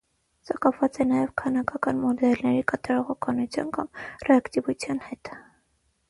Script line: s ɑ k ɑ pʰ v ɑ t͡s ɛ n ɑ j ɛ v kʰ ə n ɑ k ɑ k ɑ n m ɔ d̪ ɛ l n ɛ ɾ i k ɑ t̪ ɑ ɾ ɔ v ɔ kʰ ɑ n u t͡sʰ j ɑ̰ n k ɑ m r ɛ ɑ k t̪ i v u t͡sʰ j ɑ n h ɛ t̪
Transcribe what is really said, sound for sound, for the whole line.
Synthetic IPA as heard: s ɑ k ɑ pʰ v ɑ t͡s ɛ n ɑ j ɛ v kʰ ɑ n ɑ k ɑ k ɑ n m ɔ d̪ ɛ l n ɛ ɾ i k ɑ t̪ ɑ ɾ ɔ ʁ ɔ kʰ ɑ n u t͡sʰ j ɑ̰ n k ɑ m r ɛ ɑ k t̪ i v u t͡sʰ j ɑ n h ɛ t̪